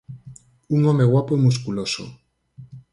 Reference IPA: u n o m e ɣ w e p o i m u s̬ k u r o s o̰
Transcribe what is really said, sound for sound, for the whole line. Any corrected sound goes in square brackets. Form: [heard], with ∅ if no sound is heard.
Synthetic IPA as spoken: u [ŋ] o m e ɣ w [a] p o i m u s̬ k u [l] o s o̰